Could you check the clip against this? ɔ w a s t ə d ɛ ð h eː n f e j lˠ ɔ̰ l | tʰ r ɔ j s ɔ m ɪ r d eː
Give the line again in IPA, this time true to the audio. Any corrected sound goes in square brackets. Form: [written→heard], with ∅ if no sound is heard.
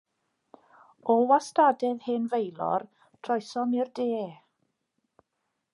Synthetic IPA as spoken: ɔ w a s t [ə→a] d ɛ ð h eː n [f→v] e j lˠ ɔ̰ [l→r] | tʰ r ɔ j s ɔ m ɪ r d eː